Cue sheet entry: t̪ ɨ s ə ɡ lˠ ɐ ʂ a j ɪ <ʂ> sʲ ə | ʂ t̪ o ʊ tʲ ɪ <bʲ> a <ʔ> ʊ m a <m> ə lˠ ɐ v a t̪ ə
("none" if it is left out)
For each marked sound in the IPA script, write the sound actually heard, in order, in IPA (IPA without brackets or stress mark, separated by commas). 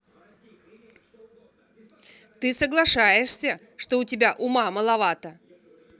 ʂ, bʲ, ʔ, m